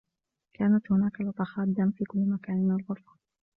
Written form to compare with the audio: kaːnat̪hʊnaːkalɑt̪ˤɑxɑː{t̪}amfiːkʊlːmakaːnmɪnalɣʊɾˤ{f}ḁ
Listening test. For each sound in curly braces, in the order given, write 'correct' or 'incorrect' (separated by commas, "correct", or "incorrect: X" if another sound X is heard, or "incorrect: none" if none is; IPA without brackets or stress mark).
incorrect: d̪, correct